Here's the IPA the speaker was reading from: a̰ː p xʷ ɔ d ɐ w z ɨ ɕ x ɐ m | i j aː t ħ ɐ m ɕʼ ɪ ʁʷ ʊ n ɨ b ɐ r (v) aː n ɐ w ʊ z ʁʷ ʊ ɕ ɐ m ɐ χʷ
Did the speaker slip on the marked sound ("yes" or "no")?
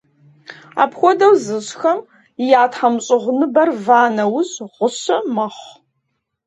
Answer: no